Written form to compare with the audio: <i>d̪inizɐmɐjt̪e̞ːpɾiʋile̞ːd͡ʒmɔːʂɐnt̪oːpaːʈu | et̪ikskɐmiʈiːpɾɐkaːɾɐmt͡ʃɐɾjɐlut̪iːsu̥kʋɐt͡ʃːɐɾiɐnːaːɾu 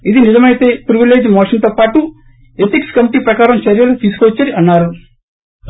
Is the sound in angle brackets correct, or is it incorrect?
correct